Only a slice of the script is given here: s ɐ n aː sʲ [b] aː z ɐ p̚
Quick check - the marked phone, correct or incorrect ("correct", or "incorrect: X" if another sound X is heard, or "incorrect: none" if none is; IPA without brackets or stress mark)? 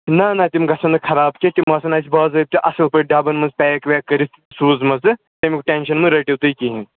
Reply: correct